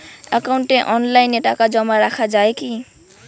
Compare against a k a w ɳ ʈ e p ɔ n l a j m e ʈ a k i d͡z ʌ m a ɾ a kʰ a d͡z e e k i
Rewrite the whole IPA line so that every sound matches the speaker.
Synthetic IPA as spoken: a k a w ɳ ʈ e ʔ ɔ n l a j n e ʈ a k a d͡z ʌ m a ɾ a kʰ a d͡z a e k i

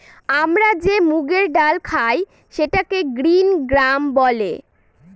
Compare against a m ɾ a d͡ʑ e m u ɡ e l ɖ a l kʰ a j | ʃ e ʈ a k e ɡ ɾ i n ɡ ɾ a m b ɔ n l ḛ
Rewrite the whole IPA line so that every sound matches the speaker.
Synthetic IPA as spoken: a m ɾ a d͡ʑ e m u ɡ e ɾ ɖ a l kʰ a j | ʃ e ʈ a k e ɡ ɾ i n ɡ ɾ a m b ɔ l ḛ

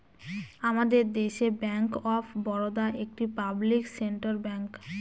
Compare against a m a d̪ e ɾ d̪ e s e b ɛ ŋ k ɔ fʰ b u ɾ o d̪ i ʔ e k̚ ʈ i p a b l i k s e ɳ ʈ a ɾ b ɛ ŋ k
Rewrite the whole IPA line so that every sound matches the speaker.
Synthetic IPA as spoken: a m a d̪ e ɾ d̪ e ʃ e b ɛ ŋ k ɔ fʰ b ɔ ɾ o d̪ a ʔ e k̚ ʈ i p a b l i k s e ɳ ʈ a ɾ b ɛ ŋ k

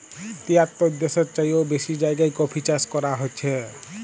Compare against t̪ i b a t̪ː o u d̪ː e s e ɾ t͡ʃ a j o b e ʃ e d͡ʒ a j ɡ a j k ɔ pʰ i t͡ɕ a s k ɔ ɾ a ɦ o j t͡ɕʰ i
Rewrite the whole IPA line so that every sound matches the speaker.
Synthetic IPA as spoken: t̪ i a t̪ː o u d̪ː e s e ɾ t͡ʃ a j o b e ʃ i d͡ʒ a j ɡ a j k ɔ pʰ i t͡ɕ a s k ɔ ɾ a ɦ o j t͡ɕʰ e

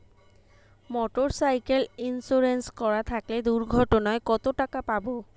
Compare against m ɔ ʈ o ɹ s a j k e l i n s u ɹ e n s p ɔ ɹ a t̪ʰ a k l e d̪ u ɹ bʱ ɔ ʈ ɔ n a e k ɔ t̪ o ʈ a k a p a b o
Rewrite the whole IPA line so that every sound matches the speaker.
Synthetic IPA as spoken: m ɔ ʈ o ɹ s a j k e l i n s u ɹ e n s k ɔ ɹ a t̪ʰ a k l e d̪ u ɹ ɡʱ ɔ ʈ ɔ n a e k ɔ t̪ o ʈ a k a p a b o

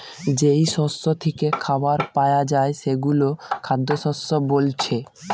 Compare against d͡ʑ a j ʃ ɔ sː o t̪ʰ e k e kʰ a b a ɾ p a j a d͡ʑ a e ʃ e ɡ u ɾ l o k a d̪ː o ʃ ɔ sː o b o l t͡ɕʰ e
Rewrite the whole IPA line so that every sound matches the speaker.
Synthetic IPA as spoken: d͡ʑ e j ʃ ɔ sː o t̪ʰ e k e kʰ a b a ɾ p a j a d͡ʑ a e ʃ e ɡ u l o kʰ a d̪ː o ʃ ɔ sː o b o l t͡ɕʰ e

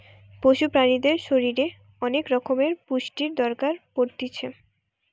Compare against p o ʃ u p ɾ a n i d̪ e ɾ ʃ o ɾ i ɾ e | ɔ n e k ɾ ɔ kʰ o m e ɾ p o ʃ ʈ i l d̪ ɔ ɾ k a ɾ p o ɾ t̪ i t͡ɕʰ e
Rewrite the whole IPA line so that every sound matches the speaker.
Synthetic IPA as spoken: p o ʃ u p ɾ a n i d̪ e ɾ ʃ o ɾ i ɾ e | ɔ n e k ɾ ɔ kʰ o m e ɾ p u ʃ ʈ i ɾ d̪ ɔ ɾ k a ɾ p o ɾ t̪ i t͡ɕʰ e

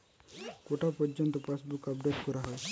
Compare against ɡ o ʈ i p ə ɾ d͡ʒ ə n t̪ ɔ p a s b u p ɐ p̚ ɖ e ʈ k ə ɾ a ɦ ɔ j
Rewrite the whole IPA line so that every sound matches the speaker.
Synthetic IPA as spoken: k o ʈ a p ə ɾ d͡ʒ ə n t̪ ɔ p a s b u k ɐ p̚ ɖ e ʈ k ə ɾ a ɦ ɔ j

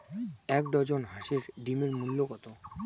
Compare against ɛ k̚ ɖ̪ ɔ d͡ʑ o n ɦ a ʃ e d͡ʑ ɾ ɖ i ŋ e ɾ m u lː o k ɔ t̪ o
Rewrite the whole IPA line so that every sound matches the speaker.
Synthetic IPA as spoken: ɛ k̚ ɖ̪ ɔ d͡ʑ o n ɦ a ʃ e ɾ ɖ i m e ɾ m u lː o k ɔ t̪ o

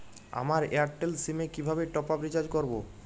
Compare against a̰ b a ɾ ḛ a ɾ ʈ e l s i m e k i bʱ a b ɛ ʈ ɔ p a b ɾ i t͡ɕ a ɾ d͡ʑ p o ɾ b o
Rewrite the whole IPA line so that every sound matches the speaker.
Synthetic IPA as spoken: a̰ m a ɾ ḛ a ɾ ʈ e l s i m e k i bʱ a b e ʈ ɔ p a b ɾ i t͡ɕ a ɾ d͡ʑ k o ɾ b o

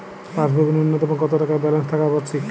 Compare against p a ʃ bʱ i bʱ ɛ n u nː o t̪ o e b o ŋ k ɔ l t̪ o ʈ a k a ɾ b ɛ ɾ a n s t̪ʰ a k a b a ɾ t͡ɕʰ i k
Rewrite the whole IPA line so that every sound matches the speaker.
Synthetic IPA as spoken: p a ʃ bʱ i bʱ i n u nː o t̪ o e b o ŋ k ɔ t̪ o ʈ a k a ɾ b ɛ l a n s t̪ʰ a k a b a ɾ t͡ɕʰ i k

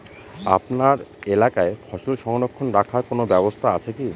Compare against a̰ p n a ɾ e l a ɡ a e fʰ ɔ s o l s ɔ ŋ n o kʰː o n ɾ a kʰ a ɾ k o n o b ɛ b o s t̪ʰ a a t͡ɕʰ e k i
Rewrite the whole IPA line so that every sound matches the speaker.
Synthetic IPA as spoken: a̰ p n a ɾ e l a k a e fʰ ɔ ʃ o l ʃ ɔ ŋ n o kʰː o n ɾ a kʰ a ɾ k o n o b ɛ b o s t̪ʰ a a t͡ɕʰ e k i

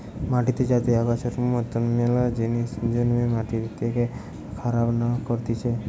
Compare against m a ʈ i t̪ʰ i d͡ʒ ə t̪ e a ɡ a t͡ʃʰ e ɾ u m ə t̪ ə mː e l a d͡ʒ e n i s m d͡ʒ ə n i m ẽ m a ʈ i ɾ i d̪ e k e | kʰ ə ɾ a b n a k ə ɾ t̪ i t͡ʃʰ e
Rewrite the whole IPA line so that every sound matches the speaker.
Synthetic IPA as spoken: m a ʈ i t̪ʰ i d͡ʒ a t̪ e a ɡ a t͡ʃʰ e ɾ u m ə t̪ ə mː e l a d͡ʒ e n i s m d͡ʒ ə n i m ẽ m a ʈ i ɾ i t̪ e k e | kʰ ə ɾ a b n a k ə ɾ t̪ i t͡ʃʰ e

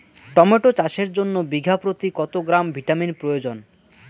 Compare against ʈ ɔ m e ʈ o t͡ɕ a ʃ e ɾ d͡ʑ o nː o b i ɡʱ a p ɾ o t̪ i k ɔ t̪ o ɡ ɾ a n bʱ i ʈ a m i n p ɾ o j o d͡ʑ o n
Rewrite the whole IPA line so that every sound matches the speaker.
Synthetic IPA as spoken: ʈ ɔ m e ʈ o t͡ɕ a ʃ e ɾ d͡ʑ o nː o b i ɡʱ a p ɾ o t̪ i k ɔ t̪ o ɡ ɾ a m bʱ i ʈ a m i n p ɾ o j o d͡ʑ o n

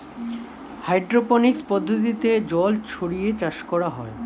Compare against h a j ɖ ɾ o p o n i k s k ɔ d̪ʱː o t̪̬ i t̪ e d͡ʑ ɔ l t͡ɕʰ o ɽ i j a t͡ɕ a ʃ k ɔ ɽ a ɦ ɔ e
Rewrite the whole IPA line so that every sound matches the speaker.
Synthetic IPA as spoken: h a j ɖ ɾ o p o n i k s p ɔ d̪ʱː o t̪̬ i t̪ e d͡ʑ ɔ l t͡ɕʰ o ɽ i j e t͡ɕ a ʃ k ɔ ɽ a ɦ ɔ e

